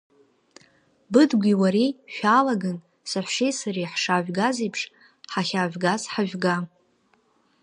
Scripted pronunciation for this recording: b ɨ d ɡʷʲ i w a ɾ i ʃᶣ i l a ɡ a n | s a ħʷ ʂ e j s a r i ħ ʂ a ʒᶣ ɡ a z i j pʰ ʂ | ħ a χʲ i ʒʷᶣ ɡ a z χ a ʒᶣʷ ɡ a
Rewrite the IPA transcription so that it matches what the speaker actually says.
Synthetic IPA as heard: b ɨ d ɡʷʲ i w a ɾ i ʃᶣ a l a ɡ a n | s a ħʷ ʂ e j s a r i ħ ʂ a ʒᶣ ɡ a z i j pʰ ʂ | ħ a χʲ a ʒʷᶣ ɡ a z ħ a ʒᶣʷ ɡ a